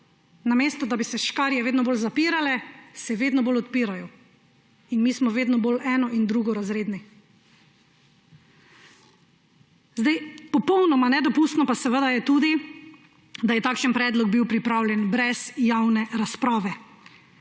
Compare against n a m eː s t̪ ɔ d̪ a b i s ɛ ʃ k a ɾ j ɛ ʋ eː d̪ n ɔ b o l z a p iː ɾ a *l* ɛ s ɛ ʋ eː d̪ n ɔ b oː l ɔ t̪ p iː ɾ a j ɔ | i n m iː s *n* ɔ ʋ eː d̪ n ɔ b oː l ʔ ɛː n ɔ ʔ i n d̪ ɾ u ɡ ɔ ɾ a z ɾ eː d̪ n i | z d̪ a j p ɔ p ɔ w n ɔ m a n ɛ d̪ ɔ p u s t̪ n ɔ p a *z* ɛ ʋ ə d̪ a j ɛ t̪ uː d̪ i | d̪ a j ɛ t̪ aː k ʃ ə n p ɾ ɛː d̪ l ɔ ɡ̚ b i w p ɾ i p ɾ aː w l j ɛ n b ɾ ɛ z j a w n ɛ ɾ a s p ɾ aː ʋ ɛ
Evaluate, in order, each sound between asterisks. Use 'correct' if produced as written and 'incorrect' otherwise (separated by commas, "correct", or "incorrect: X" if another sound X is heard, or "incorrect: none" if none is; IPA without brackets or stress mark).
correct, incorrect: m, incorrect: s